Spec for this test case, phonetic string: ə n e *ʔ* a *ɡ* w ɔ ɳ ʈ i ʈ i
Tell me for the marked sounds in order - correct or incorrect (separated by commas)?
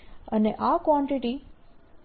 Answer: correct, incorrect